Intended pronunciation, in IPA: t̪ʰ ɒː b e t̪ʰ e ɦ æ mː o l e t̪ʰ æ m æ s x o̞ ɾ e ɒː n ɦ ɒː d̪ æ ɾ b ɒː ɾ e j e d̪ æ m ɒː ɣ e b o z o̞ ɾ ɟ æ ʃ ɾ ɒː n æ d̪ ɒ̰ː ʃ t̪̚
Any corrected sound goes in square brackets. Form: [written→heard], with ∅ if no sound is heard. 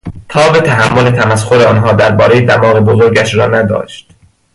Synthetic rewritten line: t̪ʰ ɒː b e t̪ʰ [e→æ] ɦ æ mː o l e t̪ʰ æ m æ s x o̞ ɾ e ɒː n ɦ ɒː d̪ æ ɾ b ɒː ɾ e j e d̪ æ m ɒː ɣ e b o z o̞ ɾ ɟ æ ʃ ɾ ɒː n æ d̪ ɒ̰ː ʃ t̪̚